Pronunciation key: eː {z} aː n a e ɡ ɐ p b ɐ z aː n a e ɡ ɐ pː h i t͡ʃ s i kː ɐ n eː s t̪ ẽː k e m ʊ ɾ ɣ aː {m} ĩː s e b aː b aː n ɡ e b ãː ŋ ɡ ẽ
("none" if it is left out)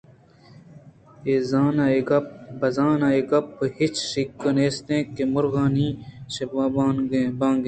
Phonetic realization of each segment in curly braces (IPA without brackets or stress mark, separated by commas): z, n